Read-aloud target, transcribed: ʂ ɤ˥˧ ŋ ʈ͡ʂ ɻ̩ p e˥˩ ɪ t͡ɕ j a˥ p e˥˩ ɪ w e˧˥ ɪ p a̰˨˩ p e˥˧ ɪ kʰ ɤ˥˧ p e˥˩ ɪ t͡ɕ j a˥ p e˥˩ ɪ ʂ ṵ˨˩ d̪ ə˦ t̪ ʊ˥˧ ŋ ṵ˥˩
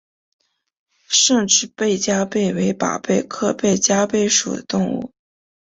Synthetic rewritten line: ʂ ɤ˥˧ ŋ ʈ͡ʂ ɻ̩ p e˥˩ ɪ t͡ɕ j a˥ p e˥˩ ɪ w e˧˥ ɪ p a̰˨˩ p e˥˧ ɪ kʰ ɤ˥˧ p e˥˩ ɪ t͡ɕ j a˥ p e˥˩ ɪ ʂ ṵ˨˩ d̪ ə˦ t̪ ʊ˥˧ ŋ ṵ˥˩